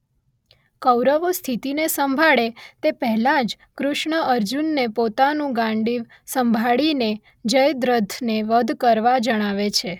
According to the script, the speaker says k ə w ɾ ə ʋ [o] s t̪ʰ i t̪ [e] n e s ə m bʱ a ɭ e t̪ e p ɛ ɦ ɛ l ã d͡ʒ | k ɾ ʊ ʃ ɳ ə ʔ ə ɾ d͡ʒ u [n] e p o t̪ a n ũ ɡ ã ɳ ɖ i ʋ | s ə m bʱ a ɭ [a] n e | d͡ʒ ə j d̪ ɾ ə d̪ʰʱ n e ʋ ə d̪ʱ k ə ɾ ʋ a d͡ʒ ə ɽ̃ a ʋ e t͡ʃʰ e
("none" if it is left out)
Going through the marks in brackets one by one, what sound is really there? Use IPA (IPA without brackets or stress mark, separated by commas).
o, i, nː, i